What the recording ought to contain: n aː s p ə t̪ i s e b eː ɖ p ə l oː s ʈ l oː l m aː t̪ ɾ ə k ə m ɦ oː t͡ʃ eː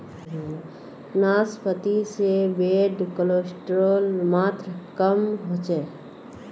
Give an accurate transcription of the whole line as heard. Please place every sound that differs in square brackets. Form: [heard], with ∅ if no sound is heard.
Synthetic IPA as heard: n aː s p ə t̪ i s e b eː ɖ [k] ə l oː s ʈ [ɾ] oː l m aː t̪ ɾ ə k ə m ɦ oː t͡ʃ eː